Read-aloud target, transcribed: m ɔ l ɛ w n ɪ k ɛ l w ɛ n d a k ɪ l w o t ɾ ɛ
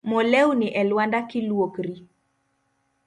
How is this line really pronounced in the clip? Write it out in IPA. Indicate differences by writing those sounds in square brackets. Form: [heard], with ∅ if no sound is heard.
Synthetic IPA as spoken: m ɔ l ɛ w n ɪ [ʔ] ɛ l w [a] n d a k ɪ l w o [k] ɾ [i]